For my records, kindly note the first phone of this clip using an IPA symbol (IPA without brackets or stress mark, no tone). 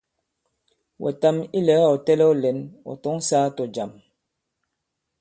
w